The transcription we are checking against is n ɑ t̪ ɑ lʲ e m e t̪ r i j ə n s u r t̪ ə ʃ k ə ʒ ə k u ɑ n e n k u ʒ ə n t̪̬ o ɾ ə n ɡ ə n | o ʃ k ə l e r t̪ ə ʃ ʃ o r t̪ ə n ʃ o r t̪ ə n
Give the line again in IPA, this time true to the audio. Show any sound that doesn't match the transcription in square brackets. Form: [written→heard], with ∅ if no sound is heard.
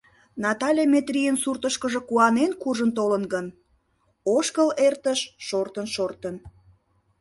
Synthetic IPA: n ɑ t̪ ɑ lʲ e m e t̪ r i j ə n s u r t̪ ə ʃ k ə ʒ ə k u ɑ n e n k u ʒ ə n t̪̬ o [ɾ→l] ə n ɡ ə n | o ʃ k ə l e r t̪ ə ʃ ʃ o r t̪ ə n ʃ o r t̪ ə n